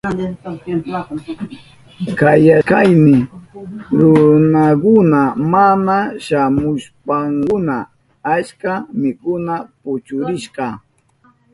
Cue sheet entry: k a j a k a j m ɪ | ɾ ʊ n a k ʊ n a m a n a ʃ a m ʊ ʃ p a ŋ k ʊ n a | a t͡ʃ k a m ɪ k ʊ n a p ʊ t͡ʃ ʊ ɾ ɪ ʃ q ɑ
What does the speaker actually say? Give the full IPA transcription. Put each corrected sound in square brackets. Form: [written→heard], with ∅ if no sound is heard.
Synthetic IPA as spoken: k a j a k a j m ɪ | ɾ ʊ n a k ʊ n a m a n a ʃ a m ʊ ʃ p a ŋ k ʊ n a | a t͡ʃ k a m ɪ k ʊ n a p ʊ t͡ʃ ʊ ɾ ɪ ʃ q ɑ